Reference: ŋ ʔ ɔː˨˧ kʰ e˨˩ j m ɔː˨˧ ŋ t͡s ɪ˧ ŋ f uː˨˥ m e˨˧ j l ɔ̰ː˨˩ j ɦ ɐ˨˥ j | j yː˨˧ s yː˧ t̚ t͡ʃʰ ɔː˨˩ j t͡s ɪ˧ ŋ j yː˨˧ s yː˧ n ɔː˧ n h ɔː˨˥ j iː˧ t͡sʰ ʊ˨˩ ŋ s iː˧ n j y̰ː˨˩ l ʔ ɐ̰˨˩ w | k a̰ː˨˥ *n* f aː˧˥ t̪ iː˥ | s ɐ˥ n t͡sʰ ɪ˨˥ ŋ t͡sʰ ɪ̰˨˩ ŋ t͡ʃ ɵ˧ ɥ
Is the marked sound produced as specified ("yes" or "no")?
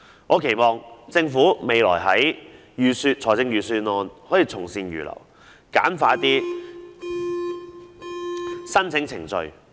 yes